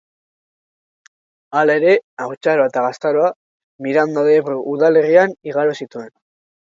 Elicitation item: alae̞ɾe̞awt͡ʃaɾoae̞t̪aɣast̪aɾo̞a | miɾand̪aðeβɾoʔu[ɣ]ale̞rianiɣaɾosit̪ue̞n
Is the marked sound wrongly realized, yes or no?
yes